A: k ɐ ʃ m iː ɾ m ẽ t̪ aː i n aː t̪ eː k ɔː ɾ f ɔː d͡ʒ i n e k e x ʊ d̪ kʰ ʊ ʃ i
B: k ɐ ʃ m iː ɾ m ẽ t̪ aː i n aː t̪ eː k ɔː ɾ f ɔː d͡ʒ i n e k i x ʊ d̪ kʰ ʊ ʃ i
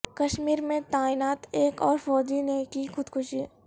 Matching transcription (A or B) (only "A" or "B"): B